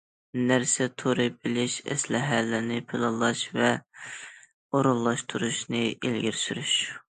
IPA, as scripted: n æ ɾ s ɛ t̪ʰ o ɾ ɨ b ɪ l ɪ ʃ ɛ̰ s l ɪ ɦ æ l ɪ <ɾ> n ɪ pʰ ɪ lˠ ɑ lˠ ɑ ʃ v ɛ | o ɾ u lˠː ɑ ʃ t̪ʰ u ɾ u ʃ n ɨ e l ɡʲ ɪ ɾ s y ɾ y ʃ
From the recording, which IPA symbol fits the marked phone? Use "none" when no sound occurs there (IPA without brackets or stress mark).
ɾ